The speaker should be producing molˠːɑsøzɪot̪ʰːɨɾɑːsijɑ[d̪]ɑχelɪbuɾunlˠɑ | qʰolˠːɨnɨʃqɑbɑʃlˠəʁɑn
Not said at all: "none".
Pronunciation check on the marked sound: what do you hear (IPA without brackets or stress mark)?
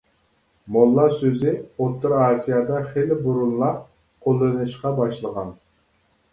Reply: d̪